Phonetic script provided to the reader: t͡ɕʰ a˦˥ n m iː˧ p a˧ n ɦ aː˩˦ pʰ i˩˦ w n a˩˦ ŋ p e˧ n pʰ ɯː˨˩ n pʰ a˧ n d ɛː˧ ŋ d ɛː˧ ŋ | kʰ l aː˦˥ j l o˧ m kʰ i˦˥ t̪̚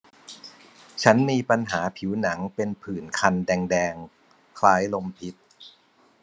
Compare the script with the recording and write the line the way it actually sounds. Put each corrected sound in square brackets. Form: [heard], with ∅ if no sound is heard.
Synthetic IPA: t͡ɕʰ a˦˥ n m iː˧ p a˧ n ɦ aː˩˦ pʰ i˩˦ w n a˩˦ ŋ p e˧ n pʰ ɯː˨˩ n [kʰ] a˧ n d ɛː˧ ŋ d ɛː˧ ŋ | kʰ l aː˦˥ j l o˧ m [pʰ] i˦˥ t̪̚

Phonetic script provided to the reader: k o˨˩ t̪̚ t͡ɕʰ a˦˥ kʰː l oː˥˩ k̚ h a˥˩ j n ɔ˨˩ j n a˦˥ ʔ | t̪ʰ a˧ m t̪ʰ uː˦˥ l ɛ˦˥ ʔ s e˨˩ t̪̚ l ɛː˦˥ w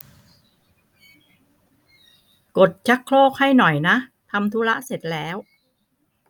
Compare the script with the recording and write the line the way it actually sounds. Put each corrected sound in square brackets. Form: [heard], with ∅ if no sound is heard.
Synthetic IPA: k o˨˩ t̪̚ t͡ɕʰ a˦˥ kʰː l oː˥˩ k̚ h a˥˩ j n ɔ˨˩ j n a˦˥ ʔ | t̪ʰ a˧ m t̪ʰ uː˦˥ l [a˦˥] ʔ s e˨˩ t̪̚ l ɛː˦˥ w

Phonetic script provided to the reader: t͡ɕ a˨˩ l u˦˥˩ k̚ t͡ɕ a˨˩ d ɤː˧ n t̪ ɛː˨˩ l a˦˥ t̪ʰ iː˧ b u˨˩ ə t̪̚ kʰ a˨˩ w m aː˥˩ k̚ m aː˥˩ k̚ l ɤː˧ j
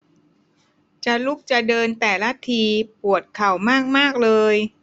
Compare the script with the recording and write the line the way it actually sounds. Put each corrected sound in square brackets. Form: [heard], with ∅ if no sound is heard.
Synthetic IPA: t͡ɕ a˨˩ l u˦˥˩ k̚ t͡ɕ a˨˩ d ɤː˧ n t̪ ɛː˨˩ l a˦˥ t̪ʰ iː˧ [p] u˨˩ ə t̪̚ kʰ a˨˩ w m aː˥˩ k̚ m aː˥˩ k̚ l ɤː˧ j

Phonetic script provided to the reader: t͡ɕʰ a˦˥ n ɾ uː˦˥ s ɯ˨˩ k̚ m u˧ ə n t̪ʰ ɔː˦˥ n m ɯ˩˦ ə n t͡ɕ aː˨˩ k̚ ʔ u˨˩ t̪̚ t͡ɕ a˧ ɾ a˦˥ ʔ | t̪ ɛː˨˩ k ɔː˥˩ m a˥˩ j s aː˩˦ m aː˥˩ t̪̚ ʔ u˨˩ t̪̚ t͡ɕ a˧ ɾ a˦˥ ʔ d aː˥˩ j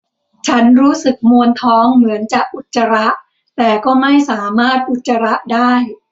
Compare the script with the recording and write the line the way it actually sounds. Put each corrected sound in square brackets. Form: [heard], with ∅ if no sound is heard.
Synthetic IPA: t͡ɕʰ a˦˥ n ɾ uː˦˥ s ɯ˨˩ k̚ m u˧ ə n t̪ʰ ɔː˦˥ [ŋ] m ɯ˩˦ ə n t͡ɕ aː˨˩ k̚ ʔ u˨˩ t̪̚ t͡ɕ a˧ ɾ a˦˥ ʔ | t̪ ɛː˨˩ k ɔː˥˩ m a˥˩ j s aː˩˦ m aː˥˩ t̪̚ ʔ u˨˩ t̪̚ t͡ɕ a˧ ɾ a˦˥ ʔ d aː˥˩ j

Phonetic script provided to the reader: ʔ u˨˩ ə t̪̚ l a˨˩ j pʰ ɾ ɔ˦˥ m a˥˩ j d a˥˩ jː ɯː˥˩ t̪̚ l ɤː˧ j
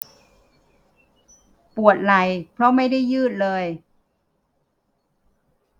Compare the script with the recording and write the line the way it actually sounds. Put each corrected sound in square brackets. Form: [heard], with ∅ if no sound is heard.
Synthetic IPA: [p] u˨˩ ə t̪̚ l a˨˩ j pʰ ɾ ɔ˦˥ m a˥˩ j d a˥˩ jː ɯː˥˩ t̪̚ l ɤː˧ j

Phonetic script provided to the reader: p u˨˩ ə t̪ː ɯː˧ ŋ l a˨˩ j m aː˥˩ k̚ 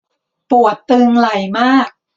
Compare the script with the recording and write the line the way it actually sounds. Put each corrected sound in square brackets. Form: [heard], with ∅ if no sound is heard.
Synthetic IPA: p u˨˩ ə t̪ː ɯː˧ ŋ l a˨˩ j m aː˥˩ k̚

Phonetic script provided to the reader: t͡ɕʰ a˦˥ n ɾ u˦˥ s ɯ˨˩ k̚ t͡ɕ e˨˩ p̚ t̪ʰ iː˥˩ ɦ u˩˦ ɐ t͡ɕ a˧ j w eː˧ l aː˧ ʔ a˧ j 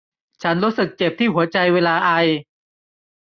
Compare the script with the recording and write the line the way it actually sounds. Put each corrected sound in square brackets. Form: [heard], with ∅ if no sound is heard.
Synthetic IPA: t͡ɕʰ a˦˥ n ɾ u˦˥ s ɯ˨˩ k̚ t͡ɕ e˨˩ p̚ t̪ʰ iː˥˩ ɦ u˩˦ ɐ t͡ɕ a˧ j w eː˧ l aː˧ ʔ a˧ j

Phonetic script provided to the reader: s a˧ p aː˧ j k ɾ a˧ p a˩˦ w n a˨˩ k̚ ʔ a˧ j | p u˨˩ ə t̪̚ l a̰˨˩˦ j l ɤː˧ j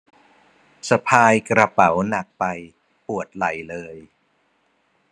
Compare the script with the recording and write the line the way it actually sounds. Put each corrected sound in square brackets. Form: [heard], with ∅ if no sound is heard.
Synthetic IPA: s a˧ [pʰ] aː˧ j k ɾ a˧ p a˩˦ w n a˨˩ k̚ [p] a˧ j | p u˨˩ ə t̪̚ l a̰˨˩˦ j l ɤː˧ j

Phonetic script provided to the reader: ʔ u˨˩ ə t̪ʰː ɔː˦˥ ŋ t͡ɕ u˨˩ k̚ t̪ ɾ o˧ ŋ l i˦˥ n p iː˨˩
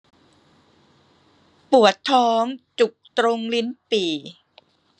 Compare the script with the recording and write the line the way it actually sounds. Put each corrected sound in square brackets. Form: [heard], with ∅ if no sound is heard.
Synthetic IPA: [p] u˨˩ ə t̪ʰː ɔː˦˥ ŋ t͡ɕ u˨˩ k̚ t̪ ɾ o˧ ŋ l i˦˥ n p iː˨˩

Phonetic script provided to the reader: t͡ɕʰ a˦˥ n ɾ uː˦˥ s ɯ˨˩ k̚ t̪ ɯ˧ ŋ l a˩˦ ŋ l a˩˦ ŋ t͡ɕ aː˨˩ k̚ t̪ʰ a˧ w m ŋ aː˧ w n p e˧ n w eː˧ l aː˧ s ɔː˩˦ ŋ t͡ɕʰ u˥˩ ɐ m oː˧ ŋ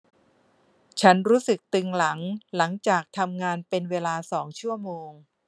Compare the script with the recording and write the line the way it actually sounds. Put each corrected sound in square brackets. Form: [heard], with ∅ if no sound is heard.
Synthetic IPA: t͡ɕʰ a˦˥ n ɾ uː˦˥ s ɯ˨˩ k̚ t̪ ɯ˧ ŋ l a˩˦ ŋ l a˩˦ ŋ t͡ɕ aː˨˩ k̚ t̪ʰ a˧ [∅] m ŋ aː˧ [∅] n p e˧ n w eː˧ l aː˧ s ɔː˩˦ ŋ t͡ɕʰ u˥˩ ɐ m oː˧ ŋ

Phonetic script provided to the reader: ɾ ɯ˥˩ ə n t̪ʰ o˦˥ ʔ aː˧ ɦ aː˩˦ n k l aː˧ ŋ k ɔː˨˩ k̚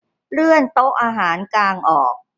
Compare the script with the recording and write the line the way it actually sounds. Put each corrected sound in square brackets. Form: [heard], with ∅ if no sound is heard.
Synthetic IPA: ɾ ɯ˥˩ ə n [t̪] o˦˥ ʔ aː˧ ɦ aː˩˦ n k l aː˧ ŋ [ʔ] ɔː˨˩ k̚

